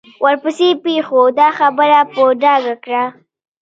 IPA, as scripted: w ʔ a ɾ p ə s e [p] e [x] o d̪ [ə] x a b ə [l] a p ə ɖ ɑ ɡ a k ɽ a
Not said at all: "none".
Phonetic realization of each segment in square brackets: p, x, ɑ, ɾ

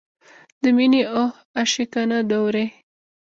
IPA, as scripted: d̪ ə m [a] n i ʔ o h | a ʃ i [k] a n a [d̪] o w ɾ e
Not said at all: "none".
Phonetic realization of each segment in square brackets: i, k, d̪

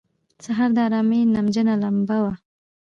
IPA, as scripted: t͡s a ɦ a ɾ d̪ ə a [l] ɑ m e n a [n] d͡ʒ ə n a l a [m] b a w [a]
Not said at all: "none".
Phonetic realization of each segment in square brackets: ɾ, m, m, a

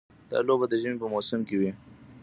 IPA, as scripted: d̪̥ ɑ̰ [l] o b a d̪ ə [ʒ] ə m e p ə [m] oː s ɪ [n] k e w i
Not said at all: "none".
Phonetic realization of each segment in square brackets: l, ʒ, m, m

